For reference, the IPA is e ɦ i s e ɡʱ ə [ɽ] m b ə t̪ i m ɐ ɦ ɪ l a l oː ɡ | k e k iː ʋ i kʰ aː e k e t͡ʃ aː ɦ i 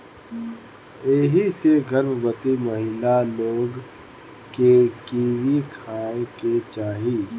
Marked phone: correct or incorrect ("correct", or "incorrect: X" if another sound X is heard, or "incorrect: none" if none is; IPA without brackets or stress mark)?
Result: incorrect: ɾ